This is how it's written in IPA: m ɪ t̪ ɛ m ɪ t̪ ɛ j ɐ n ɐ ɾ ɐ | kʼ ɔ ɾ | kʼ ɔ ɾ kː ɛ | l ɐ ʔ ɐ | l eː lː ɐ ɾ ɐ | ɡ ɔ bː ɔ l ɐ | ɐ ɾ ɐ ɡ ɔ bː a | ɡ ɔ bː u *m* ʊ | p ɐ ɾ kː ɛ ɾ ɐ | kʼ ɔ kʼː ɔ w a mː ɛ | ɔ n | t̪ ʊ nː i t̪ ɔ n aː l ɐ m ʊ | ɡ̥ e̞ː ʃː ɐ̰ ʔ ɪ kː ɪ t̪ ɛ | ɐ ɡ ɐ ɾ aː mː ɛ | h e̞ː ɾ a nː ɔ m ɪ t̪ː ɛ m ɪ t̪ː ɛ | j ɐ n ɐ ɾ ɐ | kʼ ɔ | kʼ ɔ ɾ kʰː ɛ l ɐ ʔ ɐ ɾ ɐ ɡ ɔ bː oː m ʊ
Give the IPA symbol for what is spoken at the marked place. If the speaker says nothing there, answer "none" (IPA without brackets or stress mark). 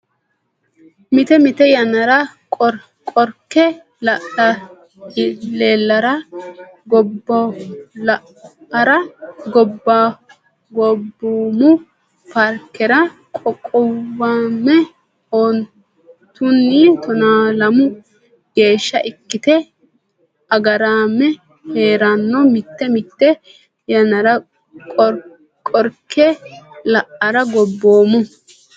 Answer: m